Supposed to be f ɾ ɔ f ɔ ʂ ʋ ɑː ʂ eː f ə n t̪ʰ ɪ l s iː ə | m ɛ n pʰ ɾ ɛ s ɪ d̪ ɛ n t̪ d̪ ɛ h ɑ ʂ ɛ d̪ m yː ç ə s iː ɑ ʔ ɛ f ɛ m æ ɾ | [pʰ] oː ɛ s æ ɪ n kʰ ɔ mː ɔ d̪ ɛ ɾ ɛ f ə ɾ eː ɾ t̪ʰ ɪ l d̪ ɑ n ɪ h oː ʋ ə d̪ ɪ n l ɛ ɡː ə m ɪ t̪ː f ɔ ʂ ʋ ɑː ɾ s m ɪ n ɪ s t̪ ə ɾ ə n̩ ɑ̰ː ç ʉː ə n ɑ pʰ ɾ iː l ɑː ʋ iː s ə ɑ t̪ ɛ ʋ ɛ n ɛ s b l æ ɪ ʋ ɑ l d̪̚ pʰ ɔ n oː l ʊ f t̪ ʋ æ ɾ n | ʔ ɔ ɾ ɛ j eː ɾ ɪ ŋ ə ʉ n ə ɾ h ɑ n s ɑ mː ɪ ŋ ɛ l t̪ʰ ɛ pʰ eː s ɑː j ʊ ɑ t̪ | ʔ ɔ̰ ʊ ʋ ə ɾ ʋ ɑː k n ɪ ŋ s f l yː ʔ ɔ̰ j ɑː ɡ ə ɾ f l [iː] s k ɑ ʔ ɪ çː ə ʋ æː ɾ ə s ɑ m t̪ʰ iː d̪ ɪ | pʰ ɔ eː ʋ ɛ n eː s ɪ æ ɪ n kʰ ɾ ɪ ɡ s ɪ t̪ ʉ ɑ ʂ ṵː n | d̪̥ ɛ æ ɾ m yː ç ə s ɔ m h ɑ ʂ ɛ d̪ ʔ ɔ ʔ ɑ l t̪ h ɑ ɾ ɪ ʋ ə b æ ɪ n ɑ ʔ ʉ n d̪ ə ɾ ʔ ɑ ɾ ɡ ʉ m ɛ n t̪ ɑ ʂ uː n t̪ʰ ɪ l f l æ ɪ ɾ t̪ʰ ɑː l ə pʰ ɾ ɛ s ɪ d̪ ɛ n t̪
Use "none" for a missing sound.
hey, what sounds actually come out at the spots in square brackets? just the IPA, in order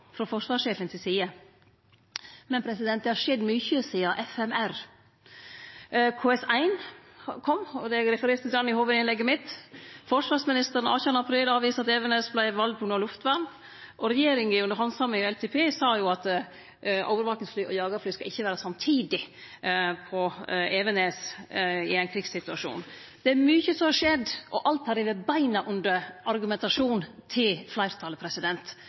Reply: kʰ, yː

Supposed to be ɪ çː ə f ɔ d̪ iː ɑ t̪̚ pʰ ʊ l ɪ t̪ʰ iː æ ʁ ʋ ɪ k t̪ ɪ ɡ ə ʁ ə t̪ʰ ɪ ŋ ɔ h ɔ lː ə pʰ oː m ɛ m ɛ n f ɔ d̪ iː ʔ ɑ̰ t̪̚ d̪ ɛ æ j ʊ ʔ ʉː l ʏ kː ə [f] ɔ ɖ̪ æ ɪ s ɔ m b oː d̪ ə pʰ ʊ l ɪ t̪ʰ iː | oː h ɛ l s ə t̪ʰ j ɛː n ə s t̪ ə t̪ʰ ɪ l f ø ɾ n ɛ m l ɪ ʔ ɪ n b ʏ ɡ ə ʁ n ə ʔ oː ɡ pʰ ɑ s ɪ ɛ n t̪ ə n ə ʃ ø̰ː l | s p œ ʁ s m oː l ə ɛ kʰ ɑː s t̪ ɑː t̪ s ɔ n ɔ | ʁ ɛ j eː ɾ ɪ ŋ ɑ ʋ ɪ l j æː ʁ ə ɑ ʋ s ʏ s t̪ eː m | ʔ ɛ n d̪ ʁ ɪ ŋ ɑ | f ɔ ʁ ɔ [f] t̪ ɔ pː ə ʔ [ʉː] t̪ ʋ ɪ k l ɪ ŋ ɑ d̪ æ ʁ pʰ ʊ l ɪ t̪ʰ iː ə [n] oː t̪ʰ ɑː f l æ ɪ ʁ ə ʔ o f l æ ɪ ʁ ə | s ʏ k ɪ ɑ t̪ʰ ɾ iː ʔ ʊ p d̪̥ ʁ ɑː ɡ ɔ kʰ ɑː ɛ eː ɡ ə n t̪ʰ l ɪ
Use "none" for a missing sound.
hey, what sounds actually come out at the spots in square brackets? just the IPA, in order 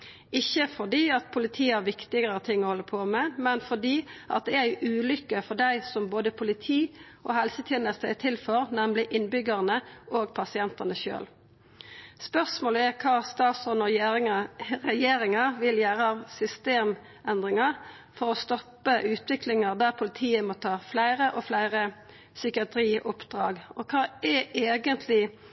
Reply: f, s, ʉː, m

